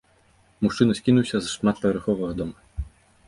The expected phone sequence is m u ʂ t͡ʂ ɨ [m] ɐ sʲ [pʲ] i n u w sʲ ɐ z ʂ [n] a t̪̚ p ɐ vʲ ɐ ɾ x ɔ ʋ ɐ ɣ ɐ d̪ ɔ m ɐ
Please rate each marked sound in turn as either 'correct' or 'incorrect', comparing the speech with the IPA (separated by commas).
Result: incorrect, incorrect, incorrect